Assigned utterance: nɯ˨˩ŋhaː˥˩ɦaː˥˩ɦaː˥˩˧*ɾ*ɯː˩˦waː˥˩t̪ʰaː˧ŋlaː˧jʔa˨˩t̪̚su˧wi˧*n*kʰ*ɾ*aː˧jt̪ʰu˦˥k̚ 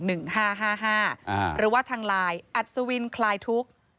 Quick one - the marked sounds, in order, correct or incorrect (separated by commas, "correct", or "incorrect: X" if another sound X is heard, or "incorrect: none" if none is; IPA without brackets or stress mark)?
correct, correct, incorrect: l